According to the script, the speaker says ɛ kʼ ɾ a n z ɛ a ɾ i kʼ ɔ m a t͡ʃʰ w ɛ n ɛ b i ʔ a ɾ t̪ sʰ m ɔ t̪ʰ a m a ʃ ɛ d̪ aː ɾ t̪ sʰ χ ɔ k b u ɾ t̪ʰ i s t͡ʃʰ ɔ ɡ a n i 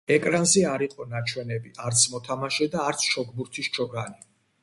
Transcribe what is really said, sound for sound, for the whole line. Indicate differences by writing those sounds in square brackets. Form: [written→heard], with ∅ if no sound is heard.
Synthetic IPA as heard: ɛ kʼ ɾ a n z ɛ a ɾ i [kʼ→qʼ] ɔ [m→n] a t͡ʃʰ w ɛ n ɛ b i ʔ a ɾ t̪ sʰ m ɔ t̪ʰ a m a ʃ ɛ d̪ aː ɾ t̪ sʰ [χ→ʃ] ɔ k b u ɾ t̪ʰ i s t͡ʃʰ ɔ ɡ a n i